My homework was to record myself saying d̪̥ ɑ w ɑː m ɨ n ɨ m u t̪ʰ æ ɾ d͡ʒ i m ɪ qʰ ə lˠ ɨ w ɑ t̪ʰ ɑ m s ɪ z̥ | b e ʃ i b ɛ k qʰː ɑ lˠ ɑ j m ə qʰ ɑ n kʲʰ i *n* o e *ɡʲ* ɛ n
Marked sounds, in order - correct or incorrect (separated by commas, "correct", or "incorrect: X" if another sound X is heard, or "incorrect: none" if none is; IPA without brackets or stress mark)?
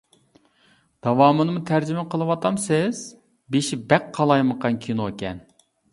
correct, incorrect: kʲ